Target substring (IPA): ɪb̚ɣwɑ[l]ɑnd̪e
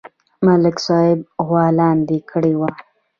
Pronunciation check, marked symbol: correct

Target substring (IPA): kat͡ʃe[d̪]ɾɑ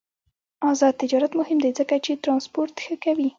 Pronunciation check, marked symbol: incorrect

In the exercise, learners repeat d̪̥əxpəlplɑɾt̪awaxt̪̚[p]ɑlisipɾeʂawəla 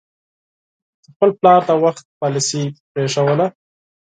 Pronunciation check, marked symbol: correct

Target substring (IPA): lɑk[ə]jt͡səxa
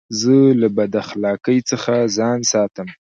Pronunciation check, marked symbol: correct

